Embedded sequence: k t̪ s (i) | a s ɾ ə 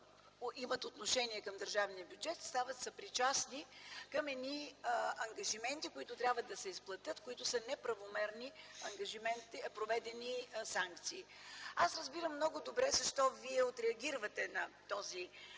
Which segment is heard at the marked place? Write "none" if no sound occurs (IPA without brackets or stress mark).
iː